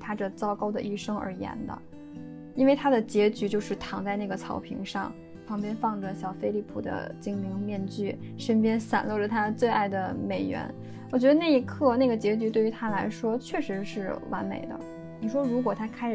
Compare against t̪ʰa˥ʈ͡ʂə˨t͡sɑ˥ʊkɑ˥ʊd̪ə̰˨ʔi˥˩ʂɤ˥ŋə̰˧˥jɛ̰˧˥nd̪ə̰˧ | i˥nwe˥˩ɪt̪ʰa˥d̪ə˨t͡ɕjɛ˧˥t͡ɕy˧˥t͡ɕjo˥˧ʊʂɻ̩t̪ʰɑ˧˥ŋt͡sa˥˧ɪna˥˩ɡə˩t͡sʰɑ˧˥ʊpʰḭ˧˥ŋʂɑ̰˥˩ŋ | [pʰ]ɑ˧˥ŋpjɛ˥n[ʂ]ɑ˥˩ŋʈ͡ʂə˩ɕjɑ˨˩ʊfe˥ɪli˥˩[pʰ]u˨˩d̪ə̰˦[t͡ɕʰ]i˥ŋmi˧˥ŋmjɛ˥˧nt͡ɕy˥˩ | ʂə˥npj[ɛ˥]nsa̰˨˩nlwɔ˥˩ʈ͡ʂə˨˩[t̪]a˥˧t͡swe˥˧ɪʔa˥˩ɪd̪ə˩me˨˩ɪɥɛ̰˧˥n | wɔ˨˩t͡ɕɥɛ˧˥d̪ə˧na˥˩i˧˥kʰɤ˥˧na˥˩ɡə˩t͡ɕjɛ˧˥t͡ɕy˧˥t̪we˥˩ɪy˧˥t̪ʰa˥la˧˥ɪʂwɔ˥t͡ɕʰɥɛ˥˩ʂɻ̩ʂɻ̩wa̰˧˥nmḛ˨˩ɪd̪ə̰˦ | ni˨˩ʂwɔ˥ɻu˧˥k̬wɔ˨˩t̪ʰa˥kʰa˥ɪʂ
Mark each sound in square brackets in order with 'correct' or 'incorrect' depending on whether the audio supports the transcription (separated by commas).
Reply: correct, incorrect, correct, incorrect, correct, incorrect